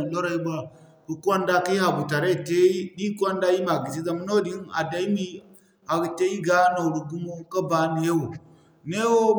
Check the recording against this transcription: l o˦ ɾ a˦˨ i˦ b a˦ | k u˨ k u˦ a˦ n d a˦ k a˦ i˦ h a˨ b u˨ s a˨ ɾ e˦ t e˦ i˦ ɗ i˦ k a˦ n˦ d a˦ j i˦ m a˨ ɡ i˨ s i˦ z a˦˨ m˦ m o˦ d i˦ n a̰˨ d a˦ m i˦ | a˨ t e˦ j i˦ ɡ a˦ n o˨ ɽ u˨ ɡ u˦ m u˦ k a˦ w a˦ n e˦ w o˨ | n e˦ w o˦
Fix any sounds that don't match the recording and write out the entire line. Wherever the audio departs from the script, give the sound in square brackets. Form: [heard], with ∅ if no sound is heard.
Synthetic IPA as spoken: l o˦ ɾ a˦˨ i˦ b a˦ | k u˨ k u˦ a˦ n d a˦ k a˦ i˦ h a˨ b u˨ [t] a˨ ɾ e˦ t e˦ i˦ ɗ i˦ k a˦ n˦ d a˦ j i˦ m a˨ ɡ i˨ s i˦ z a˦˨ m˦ [n] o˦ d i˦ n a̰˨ d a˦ m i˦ | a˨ t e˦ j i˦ ɡ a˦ n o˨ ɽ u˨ ɡ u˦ m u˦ k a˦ [b] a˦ n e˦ w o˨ | n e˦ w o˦